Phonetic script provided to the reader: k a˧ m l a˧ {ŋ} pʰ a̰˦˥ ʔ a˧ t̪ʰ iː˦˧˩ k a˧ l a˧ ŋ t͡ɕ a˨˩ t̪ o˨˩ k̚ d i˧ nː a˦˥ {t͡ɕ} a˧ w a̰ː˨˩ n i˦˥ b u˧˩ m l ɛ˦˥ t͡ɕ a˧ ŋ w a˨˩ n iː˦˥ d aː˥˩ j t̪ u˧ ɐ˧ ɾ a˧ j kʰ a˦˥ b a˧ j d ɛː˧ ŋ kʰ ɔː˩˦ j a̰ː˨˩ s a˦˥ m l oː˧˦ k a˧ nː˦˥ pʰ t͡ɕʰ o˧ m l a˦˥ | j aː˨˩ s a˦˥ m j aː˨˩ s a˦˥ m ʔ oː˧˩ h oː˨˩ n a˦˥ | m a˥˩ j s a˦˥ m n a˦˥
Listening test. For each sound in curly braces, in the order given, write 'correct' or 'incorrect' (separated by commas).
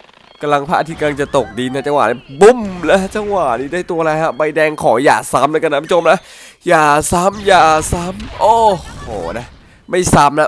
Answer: correct, correct